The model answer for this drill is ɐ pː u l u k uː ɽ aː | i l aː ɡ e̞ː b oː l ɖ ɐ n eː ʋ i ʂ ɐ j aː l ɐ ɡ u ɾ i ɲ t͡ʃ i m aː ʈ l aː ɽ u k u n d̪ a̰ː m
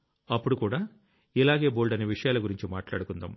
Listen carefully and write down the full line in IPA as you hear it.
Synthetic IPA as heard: ɐ pː u ɽ u k uː ɽ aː | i l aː ɡ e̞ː b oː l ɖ ɐ n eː ʋ i ʂ ɐ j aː l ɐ ɡ u ɾ i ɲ t͡ʃ i m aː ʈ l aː ɽ u k u n d̪ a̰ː m